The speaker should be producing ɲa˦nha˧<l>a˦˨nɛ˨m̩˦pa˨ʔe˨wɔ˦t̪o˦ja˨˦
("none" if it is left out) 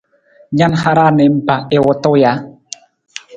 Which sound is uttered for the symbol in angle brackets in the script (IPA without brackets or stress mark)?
ɾ